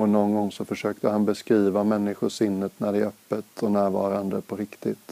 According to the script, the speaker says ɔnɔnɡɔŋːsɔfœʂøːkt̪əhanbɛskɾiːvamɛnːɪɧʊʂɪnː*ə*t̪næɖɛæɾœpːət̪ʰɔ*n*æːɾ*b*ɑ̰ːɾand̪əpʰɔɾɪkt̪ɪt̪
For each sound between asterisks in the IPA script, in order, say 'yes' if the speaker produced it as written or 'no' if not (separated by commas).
yes, yes, no